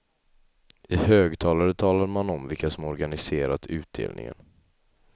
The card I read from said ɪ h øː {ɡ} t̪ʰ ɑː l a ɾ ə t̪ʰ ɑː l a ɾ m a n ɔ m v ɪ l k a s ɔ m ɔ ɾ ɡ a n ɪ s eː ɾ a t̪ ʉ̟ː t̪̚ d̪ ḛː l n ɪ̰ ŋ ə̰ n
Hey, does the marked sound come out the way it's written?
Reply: yes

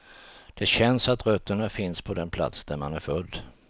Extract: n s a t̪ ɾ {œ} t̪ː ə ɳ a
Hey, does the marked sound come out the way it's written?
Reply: yes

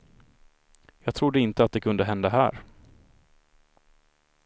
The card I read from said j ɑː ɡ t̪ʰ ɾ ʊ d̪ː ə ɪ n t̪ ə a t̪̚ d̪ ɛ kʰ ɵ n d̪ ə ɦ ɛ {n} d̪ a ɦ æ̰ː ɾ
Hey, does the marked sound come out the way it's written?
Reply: yes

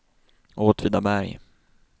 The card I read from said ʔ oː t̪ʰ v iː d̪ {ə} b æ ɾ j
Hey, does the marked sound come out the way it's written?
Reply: no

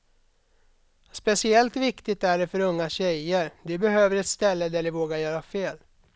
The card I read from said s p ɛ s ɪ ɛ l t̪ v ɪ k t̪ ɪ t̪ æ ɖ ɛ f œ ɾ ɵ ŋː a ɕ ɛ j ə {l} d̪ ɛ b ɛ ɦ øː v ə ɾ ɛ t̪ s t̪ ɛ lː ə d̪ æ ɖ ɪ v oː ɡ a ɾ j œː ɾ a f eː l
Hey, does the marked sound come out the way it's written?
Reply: no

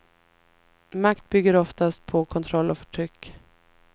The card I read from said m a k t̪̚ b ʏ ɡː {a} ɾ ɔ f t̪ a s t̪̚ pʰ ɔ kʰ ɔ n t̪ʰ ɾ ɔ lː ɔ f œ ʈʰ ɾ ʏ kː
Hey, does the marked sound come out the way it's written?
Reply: no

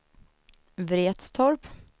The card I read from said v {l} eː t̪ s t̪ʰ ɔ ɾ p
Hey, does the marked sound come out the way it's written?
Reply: no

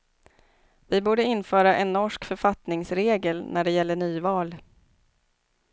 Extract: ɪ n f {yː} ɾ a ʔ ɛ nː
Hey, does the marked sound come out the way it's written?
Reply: no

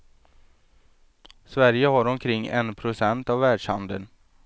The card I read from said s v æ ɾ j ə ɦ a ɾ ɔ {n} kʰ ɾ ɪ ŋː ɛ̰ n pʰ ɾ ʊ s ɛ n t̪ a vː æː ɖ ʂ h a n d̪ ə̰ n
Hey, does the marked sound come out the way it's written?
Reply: no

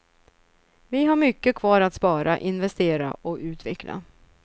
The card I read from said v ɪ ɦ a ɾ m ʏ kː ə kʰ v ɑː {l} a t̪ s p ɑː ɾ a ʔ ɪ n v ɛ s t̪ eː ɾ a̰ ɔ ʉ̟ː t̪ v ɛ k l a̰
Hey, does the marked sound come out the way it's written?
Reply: no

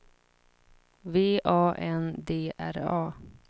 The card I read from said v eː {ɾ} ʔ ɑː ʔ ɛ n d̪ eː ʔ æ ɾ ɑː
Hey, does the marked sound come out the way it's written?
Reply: no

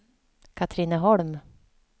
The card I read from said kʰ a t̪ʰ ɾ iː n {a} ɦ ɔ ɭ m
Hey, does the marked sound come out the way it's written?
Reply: no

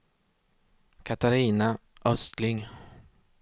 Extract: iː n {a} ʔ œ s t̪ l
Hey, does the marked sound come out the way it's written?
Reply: yes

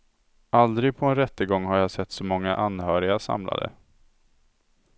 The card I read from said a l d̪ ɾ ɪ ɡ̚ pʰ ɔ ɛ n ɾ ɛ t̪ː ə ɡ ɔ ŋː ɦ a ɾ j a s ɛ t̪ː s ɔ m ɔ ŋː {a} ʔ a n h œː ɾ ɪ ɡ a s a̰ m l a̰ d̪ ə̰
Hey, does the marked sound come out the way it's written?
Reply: yes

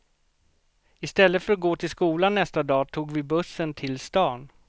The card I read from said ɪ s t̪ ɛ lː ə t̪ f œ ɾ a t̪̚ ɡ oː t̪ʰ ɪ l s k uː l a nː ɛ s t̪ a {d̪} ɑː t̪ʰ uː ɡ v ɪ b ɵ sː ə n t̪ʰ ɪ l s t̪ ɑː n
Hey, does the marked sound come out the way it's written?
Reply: yes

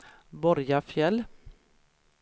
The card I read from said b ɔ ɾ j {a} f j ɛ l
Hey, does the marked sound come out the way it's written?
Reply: yes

